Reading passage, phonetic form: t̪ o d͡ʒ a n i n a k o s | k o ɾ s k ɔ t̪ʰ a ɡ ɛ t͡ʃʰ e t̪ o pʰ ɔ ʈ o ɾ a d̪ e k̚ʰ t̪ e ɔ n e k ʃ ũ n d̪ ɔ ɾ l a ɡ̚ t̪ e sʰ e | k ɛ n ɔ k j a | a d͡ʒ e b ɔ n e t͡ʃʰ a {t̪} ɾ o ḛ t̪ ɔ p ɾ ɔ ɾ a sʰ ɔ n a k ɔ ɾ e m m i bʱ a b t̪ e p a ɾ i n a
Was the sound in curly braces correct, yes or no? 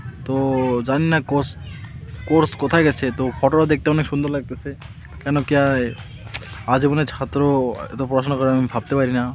yes